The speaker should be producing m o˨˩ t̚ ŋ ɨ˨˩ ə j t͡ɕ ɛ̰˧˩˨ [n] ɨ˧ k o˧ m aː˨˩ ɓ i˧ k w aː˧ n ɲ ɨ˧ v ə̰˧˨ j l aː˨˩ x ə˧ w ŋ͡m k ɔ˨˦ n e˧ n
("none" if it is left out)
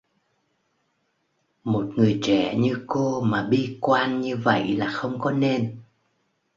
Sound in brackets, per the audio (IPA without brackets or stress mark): ɲ